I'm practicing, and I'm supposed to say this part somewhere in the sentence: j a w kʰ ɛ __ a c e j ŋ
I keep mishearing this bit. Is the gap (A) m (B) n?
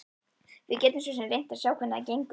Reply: B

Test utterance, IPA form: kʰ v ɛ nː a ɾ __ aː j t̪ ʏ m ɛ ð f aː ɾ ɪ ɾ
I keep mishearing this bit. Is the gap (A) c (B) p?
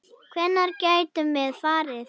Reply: A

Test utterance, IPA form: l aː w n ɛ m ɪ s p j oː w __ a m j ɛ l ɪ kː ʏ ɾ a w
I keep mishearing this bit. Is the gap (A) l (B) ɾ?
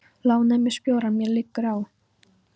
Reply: B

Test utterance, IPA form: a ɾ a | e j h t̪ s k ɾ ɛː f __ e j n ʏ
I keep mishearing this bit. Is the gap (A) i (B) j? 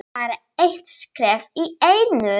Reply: A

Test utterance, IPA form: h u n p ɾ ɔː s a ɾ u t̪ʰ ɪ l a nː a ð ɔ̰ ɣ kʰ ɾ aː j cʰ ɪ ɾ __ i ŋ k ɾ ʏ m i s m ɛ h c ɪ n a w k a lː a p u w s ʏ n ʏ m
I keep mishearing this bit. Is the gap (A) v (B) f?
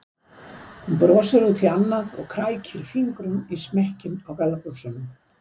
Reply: B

